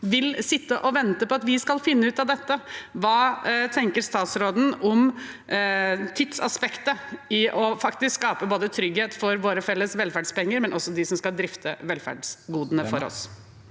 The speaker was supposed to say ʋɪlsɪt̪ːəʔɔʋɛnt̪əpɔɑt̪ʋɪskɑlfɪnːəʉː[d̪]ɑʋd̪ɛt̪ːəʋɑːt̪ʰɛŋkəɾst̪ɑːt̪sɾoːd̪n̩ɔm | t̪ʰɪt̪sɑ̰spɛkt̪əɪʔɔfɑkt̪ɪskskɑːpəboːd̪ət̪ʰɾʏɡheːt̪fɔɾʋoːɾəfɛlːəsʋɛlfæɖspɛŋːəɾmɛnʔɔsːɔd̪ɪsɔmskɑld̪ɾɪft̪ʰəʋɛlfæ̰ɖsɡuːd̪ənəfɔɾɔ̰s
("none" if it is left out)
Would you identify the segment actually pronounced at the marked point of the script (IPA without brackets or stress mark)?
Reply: t̪